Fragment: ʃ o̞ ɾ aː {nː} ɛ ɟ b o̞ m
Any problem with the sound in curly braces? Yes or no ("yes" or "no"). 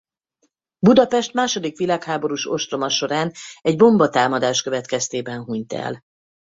yes